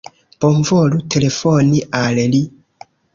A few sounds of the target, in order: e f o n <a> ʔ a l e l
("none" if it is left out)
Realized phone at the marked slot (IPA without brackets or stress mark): i